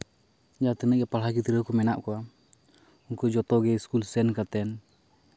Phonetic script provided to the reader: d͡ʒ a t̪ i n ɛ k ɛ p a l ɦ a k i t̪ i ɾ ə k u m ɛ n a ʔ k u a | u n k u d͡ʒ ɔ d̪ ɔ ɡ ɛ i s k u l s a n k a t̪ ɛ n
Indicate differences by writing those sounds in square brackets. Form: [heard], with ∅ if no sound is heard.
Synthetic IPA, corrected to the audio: d͡ʒ a t̪ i n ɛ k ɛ p a l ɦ a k i t̪ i ɾ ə k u m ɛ n a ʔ k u a | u [ŋ] k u d͡ʒ ɔ [t̪] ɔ ɡ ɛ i s k u l s [ɛ] n k a t̪ ɛ n